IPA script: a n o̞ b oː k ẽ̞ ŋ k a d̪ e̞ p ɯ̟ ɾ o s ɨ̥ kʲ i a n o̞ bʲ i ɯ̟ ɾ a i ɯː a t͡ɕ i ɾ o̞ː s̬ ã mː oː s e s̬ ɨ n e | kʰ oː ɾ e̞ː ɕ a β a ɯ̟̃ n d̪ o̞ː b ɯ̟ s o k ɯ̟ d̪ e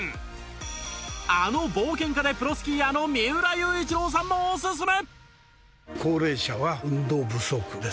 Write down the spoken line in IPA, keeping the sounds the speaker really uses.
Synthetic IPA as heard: a n o̞ b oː k ẽ̞ ŋ k a d̪ e̞ p ɯ̟ ɾ o s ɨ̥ kʲ i a n o̞ mʲ i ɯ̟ ɾ a j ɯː i t͡ɕ i ɾ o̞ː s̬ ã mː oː s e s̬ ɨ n e | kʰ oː ɾ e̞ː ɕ a β a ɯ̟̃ n d̪ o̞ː b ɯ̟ s o k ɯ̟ d̪ e